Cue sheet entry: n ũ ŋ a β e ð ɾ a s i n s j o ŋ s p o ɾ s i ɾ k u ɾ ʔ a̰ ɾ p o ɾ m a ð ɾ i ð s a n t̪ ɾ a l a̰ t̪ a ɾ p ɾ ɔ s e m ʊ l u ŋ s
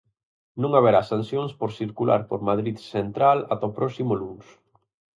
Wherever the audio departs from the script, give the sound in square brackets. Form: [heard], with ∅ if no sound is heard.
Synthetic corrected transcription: n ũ ŋ a β e [∅] ɾ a s [a] n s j o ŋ s p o ɾ s i ɾ k u [l] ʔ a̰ ɾ p o ɾ m a ð ɾ i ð s [e] n t̪ ɾ a l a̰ t̪ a [∅] p ɾ ɔ s [i] m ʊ l u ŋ s